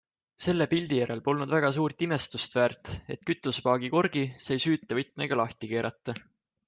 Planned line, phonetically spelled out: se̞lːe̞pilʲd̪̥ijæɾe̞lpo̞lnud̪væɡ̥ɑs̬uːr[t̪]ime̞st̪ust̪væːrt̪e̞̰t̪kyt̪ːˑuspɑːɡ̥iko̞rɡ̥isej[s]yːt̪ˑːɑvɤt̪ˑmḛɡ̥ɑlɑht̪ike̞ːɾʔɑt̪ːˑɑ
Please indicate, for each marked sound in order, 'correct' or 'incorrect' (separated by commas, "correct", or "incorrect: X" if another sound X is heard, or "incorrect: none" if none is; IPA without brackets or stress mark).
correct, correct